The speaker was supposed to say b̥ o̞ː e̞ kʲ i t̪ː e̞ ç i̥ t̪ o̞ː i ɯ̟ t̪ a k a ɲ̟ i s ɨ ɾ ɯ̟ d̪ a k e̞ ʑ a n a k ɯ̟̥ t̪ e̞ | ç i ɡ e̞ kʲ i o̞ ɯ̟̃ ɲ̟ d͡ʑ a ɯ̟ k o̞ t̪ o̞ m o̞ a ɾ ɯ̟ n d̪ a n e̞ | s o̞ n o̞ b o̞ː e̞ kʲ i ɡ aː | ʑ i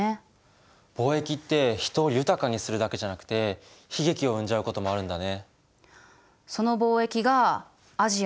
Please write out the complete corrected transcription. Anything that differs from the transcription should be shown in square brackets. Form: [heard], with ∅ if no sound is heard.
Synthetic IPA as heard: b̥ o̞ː e̞ kʲ i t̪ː e̞ ç i̥ t̪ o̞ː [j] ɯ̟ t̪ a k a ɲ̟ i s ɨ ɾ ɯ̟ d̪ a k e̞ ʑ a n a k ɯ̟̥ t̪ e̞ | ç i ɡ e̞ kʲ i o̞ ɯ̟̃ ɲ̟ d͡ʑ a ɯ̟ k o̞ t̪ o̞ m o̞ a ɾ [ɯ̟̃] n d̪ a n e̞ | s o̞ n o̞ b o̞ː e̞ kʲ i ɡ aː | ʑ i